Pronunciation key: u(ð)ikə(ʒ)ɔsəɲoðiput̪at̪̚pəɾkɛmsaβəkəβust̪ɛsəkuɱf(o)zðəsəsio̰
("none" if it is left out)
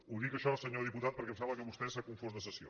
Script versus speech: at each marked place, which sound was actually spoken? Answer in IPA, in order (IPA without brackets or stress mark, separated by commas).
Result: ð, ʃ, o